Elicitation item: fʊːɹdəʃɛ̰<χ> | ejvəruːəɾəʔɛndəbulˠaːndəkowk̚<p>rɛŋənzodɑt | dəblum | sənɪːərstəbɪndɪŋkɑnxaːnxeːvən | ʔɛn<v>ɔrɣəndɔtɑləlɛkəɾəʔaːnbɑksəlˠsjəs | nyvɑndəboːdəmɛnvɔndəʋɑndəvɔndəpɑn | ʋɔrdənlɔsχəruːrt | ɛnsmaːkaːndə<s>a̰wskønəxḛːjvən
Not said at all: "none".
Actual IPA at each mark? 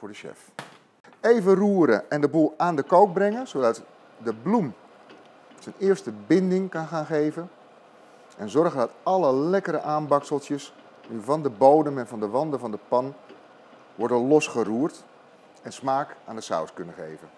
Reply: f, b, z, s

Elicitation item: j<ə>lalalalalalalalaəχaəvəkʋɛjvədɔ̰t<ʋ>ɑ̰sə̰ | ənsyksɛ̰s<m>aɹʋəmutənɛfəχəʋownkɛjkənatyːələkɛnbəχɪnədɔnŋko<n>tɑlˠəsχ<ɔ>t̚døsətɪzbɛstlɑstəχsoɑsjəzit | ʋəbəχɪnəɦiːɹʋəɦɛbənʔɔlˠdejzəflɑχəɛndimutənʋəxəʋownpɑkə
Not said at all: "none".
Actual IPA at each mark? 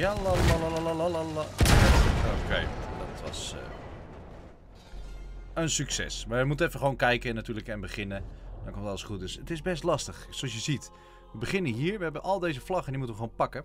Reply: a, ʋ, m, m, u

